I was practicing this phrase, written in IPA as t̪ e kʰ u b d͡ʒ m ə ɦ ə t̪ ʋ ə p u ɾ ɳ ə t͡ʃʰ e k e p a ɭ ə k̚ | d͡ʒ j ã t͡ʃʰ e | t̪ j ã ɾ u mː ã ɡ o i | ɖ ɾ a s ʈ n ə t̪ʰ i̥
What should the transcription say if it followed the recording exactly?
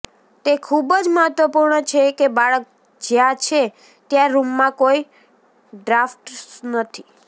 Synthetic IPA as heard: t̪ e kʰ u b d͡ʒ m ə ɦ ə t̪ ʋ ə p u ɾ ɳ ə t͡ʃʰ e k e b a ɭ ə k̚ | d͡ʒ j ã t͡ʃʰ e | t̪ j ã ɾ u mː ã k o i | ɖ ɾ a f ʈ n ə t̪ʰ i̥